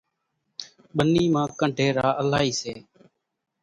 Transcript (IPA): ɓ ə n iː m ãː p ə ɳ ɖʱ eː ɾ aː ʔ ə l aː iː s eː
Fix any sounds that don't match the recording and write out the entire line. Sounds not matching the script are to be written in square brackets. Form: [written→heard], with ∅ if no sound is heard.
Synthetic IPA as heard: ɓ ə n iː m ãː [p→k] ə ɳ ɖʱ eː ɾ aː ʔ ə l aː iː s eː